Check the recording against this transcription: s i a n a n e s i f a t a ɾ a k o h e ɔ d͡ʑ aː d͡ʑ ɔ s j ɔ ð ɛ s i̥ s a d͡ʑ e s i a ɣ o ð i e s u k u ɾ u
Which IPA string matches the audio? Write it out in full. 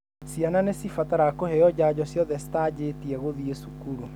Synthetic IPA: s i a n a n e s i f a t a ɾ a k o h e ɔ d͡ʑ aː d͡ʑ ɔ s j ɔ ð ɛ s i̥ t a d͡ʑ e t i ɛ ɣ o ð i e s u k u ɾ u